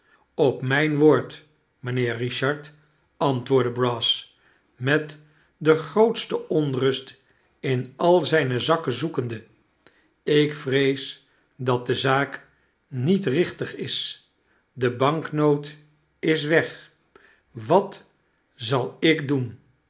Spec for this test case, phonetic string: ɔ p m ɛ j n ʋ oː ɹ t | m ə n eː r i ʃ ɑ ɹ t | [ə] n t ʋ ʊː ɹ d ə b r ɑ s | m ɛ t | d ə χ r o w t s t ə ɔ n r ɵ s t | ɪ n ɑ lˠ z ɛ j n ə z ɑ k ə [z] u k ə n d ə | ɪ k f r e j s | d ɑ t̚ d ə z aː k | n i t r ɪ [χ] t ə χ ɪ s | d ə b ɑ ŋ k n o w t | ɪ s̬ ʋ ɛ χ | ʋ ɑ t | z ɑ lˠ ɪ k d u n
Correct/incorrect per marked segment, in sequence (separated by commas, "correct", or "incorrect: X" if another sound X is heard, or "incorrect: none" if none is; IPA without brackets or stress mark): incorrect: ɑ, correct, correct